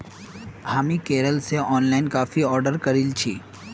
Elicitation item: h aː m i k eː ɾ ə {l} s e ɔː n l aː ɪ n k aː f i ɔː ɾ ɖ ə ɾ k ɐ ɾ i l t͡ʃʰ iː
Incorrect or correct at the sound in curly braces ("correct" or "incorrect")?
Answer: correct